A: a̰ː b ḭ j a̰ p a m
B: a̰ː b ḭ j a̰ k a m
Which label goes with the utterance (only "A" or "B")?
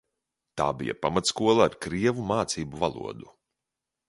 A